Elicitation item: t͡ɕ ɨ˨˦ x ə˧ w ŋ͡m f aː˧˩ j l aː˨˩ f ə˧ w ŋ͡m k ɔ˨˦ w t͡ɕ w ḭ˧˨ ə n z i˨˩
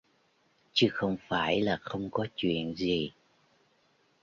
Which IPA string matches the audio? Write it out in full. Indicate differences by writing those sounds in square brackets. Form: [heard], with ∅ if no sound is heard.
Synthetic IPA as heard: t͡ɕ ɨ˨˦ x ə˧ w ŋ͡m f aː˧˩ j l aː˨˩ [x] ə˧ w ŋ͡m k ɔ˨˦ [∅] t͡ɕ w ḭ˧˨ ə n z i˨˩